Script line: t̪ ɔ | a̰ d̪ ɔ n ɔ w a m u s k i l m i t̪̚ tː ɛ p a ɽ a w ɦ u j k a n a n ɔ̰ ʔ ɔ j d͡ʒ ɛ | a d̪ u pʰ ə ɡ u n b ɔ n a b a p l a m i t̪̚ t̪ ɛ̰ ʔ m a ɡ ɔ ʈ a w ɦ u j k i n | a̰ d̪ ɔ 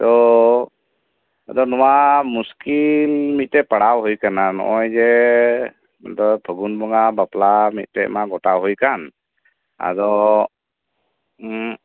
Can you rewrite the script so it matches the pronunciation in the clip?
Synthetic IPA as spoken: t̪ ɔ | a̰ d̪ ɔ n ɔ w a m u s k i l m i t̪̚ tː ɛ p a ɽ a w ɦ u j k a n a n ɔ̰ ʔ ɔ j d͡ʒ ɛ | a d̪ ɔ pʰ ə ɡ u n b ɔ ŋ a b a p l a m i t̪̚ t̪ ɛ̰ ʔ m a ɡ ɔ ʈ a w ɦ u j k a n | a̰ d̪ ɔ